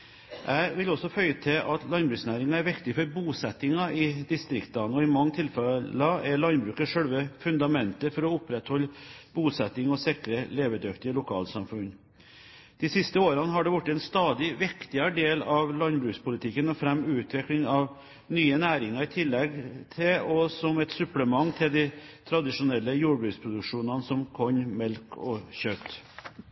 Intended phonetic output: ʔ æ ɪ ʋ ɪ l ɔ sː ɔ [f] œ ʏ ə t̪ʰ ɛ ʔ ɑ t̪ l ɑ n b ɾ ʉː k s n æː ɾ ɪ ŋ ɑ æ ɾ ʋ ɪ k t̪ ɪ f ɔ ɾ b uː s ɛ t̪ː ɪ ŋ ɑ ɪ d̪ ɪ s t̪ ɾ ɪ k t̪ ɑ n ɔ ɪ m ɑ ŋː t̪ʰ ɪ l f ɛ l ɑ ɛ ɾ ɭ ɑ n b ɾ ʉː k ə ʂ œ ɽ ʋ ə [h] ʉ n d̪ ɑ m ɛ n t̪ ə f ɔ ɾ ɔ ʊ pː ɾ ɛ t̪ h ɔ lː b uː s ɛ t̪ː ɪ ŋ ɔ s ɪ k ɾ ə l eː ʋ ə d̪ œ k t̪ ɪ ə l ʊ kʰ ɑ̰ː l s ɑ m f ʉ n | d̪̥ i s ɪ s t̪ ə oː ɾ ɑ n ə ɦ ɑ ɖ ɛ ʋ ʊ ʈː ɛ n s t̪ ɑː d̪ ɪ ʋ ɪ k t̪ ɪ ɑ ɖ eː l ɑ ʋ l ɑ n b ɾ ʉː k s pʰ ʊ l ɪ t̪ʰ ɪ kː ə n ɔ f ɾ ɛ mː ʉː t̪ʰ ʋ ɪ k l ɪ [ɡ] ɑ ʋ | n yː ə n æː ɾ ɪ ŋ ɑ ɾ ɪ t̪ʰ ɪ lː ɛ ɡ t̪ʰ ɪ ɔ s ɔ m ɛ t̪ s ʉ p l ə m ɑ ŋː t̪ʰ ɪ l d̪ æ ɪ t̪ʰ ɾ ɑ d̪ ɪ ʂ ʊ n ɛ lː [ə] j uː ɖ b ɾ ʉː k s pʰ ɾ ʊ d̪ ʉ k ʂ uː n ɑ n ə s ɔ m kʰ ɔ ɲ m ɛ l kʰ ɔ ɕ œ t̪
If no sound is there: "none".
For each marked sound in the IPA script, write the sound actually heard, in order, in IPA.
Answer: f, f, ŋ, ə

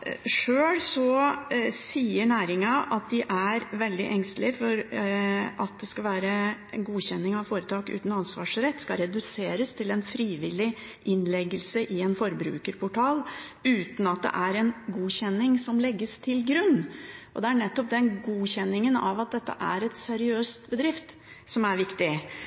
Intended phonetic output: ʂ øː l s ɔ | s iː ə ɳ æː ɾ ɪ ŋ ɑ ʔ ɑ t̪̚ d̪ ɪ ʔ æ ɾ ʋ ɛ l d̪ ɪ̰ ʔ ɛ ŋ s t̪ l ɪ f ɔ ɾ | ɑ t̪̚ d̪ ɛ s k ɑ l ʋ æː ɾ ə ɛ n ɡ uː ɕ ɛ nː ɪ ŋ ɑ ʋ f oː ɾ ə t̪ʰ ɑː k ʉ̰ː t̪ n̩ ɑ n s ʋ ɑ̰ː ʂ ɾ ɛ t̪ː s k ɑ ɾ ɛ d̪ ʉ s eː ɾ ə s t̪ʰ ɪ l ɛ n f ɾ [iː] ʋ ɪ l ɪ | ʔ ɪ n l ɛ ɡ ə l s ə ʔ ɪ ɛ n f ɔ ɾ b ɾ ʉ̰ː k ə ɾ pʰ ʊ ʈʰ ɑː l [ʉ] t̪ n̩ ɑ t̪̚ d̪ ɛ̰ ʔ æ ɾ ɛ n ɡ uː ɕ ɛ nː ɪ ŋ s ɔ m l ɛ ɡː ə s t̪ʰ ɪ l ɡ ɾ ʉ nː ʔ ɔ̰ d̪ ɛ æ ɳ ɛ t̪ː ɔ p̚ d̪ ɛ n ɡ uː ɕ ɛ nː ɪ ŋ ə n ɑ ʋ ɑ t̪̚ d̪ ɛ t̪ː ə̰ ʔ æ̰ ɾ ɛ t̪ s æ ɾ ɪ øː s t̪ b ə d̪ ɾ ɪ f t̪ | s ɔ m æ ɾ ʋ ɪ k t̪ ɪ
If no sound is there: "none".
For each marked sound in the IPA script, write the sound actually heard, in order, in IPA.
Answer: iː, ʉː

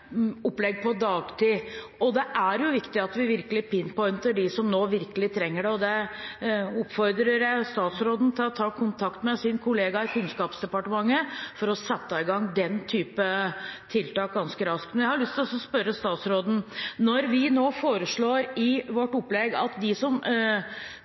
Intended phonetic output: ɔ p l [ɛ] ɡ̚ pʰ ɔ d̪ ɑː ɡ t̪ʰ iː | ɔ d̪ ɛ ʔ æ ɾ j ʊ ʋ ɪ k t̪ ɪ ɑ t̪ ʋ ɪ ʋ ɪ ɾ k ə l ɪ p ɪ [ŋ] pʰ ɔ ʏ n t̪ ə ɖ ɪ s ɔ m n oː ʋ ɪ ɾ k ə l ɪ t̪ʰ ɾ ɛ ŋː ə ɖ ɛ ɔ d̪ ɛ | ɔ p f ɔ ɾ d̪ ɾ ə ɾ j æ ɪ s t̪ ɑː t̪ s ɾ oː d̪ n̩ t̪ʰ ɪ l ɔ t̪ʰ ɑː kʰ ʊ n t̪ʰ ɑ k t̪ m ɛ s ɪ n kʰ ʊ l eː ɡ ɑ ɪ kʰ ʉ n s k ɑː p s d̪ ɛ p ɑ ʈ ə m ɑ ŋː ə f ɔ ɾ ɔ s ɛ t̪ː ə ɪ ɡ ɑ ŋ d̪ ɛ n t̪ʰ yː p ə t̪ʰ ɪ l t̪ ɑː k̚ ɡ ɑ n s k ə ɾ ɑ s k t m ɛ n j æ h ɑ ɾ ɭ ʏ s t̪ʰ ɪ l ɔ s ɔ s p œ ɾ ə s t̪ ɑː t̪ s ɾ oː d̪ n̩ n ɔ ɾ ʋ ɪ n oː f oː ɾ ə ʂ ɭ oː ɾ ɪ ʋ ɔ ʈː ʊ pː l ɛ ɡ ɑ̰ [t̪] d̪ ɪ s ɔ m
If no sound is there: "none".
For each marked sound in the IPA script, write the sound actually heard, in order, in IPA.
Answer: ɛ, n, t̪

